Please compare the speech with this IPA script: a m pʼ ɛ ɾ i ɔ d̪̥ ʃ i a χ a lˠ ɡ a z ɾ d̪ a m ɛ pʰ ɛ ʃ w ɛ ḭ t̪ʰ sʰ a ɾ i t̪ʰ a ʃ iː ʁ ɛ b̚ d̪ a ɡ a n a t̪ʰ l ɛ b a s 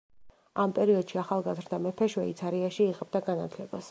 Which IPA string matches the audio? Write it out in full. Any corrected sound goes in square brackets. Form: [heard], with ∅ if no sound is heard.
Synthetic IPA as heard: a m pʼ ɛ ɾ i ɔ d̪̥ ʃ i a χ a lˠ ɡ a z ɾ d̪ a m ɛ pʰ ɛ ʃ w ɛ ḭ [t̪] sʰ a ɾ i [∅] a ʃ iː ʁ ɛ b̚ d̪ a ɡ a n a t̪ʰ l ɛ b a s